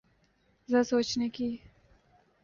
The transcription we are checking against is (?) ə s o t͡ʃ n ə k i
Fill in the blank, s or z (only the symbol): z